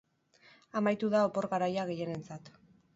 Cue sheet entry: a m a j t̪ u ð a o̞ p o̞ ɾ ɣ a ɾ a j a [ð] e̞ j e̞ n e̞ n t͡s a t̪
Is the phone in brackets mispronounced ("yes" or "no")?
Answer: yes